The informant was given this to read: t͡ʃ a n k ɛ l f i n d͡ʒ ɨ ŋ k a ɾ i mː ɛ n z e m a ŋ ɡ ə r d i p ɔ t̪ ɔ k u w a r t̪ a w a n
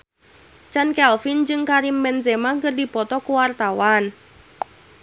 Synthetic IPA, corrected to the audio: t͡ʃ a n k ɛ l f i n d͡ʒ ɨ ŋ k a ɾ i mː ɛ n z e m a ŋ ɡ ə r d i p ɔ t̪ ɔ k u w a r t̪ a w a n